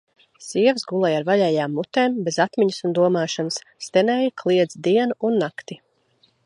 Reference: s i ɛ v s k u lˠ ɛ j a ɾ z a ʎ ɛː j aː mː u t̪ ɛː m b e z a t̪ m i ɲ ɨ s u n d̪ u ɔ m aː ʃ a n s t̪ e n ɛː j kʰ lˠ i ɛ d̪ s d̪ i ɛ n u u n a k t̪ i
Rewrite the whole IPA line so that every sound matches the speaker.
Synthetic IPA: s i ɛ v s ɡ u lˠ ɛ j a ɾ v a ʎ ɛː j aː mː u t̪ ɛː m b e z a t̪ m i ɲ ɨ s u n d̪ u ɔ m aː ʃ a n s t̪ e n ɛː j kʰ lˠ i ɛ d̪ z d̪ i ɛ n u u nː a k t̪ i